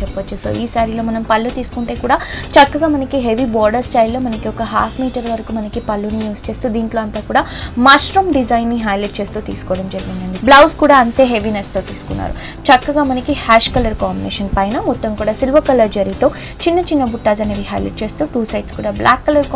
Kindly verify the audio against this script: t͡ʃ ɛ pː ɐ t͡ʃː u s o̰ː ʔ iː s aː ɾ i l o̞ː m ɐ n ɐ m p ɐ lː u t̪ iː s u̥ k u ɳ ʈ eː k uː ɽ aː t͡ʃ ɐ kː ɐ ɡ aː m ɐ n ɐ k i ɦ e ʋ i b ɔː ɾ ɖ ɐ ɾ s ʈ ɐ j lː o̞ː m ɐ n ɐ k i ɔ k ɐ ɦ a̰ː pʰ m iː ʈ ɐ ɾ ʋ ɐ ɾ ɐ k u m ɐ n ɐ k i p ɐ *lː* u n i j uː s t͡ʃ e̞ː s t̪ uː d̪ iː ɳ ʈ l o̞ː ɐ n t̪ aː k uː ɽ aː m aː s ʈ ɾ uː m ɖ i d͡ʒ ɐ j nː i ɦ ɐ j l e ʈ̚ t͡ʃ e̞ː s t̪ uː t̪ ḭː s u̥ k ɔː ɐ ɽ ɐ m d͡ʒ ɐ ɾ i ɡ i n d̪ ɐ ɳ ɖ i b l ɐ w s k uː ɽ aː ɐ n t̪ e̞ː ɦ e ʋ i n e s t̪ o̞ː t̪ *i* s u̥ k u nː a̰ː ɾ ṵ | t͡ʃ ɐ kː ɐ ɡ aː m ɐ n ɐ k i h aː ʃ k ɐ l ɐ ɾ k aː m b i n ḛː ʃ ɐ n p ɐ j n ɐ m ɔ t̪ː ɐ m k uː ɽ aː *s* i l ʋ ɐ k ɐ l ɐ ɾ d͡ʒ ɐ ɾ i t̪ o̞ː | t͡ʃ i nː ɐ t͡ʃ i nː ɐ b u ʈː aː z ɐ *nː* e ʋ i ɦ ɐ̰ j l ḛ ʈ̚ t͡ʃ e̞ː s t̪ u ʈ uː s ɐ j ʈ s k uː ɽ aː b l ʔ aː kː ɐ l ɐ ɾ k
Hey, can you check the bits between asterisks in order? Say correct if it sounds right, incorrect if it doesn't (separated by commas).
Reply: correct, incorrect, correct, incorrect